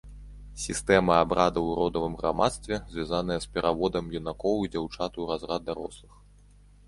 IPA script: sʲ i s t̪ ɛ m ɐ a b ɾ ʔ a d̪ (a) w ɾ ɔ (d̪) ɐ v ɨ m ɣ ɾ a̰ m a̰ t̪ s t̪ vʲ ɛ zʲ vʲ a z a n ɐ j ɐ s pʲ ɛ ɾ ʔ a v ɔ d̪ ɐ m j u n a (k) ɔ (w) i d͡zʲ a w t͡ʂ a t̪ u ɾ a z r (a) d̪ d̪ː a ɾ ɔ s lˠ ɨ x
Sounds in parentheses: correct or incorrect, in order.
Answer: incorrect: ɐ, correct, correct, correct, correct

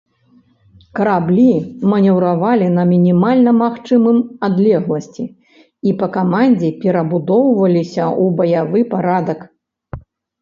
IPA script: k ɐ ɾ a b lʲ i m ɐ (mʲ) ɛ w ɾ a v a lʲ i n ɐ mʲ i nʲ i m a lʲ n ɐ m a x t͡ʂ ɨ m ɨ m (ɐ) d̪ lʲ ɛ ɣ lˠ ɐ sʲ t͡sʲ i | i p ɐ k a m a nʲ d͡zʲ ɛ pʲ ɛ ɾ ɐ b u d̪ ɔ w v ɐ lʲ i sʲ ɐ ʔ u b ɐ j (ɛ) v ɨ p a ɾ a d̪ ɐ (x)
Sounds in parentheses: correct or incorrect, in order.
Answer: incorrect: nʲ, incorrect: a, incorrect: a, incorrect: k

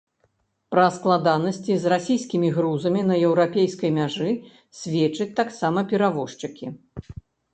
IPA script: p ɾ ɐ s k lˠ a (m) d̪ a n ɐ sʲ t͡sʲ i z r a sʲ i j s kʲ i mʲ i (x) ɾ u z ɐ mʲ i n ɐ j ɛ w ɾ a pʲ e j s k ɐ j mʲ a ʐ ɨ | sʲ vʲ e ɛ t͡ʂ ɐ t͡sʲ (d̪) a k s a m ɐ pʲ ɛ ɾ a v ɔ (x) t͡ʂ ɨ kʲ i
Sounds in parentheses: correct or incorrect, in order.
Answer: incorrect: none, incorrect: ɣ, incorrect: t̪, incorrect: ʂ

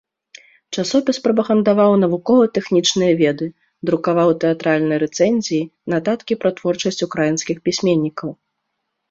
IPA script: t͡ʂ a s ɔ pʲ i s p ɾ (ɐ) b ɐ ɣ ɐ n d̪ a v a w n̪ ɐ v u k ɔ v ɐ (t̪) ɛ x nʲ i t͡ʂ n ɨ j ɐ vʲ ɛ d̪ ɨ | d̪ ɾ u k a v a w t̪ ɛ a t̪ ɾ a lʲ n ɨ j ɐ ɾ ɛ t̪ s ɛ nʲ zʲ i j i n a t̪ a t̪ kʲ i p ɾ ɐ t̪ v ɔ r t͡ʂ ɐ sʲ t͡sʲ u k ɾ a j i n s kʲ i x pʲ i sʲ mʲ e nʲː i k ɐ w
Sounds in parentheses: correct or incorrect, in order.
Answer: correct, correct

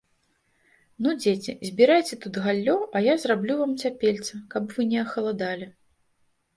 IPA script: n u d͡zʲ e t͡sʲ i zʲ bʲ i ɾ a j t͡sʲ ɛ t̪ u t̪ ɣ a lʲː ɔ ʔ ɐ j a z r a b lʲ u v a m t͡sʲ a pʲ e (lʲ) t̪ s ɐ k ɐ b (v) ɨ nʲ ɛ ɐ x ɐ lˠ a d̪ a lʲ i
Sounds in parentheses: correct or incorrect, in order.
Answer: correct, correct

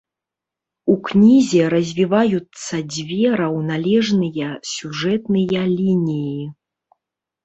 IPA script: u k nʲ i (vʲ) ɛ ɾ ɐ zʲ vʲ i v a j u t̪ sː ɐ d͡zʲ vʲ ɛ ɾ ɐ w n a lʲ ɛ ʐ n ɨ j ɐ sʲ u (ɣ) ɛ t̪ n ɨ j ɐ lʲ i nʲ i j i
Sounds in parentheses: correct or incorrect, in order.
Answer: incorrect: zʲ, incorrect: ʐ

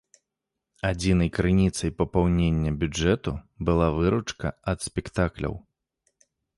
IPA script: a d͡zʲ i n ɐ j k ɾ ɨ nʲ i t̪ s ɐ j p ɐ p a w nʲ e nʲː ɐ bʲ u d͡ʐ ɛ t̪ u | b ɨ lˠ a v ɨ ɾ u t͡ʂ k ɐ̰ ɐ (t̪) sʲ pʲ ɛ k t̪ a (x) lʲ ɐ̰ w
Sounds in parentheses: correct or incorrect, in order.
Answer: correct, incorrect: k

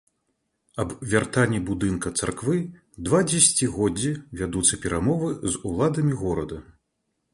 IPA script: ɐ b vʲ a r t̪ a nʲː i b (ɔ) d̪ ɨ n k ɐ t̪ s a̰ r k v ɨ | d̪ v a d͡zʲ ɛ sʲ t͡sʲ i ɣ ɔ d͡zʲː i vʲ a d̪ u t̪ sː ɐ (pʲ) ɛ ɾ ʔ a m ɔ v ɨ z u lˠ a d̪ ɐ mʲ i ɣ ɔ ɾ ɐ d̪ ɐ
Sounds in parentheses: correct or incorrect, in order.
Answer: incorrect: u, correct

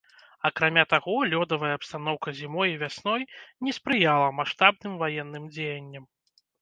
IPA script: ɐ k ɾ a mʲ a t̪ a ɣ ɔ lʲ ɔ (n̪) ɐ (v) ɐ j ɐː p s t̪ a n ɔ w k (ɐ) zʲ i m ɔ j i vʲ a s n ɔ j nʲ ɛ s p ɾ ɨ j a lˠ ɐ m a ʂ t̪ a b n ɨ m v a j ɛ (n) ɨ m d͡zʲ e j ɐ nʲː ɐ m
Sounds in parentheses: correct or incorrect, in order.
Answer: incorrect: d̪, correct, correct, incorrect: nː

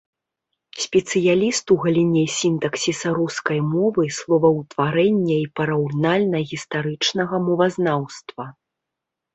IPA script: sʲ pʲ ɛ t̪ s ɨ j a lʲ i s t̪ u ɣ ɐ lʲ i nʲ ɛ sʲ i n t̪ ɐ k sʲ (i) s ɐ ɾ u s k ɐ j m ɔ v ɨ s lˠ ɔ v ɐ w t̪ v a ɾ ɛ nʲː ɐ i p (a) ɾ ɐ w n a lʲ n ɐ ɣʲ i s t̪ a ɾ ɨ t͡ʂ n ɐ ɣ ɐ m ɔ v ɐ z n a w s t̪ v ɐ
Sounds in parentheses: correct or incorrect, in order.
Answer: correct, incorrect: ɐ

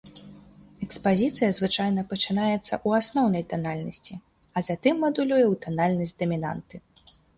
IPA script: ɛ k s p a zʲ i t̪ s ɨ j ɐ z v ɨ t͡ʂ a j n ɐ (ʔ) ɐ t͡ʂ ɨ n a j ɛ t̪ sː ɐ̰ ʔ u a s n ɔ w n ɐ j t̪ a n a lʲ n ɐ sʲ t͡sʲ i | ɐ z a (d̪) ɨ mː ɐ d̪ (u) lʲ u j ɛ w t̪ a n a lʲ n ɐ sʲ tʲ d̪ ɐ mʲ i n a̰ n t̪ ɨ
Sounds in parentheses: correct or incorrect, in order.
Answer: incorrect: p, incorrect: t̪, correct

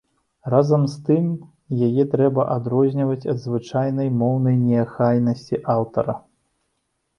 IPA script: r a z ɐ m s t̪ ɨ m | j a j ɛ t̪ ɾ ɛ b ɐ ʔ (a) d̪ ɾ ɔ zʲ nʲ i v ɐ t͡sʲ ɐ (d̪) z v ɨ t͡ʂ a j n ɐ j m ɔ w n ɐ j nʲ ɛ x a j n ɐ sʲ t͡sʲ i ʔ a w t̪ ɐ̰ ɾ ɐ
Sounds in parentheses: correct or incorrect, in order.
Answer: correct, correct

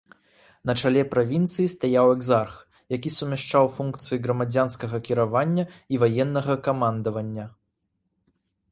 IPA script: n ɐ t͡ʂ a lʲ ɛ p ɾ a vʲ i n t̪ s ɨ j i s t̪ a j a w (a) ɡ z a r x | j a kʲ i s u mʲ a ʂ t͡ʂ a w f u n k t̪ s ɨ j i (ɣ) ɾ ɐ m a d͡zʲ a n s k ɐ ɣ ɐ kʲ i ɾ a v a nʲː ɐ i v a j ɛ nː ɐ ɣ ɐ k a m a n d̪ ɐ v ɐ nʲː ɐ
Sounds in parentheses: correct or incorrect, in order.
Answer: incorrect: ɛ, correct

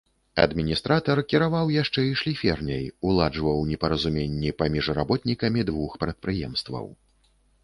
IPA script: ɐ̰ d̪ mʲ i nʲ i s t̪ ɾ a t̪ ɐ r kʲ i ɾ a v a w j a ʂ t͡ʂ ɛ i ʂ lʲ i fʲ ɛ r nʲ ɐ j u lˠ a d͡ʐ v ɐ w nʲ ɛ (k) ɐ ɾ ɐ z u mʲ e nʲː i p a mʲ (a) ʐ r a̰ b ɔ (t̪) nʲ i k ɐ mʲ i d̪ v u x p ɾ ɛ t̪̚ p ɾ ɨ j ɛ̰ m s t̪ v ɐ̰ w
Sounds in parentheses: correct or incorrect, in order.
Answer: incorrect: p, incorrect: i, correct

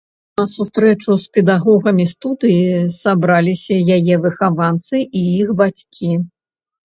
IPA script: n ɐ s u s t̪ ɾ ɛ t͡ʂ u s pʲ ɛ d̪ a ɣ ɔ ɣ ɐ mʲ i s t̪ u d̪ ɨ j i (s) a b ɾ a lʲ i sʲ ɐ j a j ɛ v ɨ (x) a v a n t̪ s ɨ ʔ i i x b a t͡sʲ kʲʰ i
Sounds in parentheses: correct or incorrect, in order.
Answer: correct, correct

